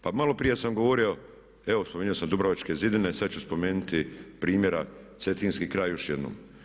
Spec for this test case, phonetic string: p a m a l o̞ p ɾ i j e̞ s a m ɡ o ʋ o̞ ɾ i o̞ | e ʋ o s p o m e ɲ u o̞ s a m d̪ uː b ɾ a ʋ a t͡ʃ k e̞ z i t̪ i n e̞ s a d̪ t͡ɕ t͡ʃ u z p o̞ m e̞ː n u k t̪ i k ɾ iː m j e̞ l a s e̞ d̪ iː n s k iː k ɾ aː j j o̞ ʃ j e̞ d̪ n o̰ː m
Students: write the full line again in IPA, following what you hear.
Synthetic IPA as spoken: p a m a l o̞ p ɾ i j e̞ s a m ɡ o ʋ o̞ ɾ i o̞ | e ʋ o s p o m e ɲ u o̞ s a m d̪ u b ɾ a ʋ a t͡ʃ k e̞ z i d̪ i n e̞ s a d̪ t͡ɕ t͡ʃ u s p o̞ m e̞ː n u t̪ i p ɾ iː m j e̞ ɾ a s e̞ t̪ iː n s k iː k ɾ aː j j o̞ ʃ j e̞ d̪ n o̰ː m